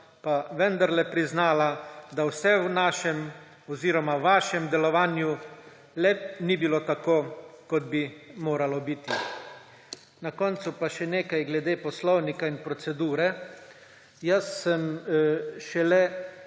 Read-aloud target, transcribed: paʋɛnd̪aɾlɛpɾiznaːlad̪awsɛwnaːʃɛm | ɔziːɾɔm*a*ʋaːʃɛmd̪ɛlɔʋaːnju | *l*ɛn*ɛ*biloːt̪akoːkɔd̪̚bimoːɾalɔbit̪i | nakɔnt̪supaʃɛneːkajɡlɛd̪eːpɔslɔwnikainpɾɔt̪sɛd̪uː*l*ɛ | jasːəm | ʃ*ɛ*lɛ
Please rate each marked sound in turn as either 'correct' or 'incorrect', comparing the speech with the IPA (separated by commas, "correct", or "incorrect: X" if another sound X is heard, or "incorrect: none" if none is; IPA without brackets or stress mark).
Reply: correct, correct, incorrect: i, incorrect: ɾ, correct